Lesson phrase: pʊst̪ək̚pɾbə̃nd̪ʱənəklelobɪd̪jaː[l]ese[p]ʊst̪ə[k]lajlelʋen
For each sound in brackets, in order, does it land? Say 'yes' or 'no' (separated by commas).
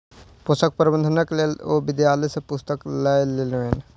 yes, yes, yes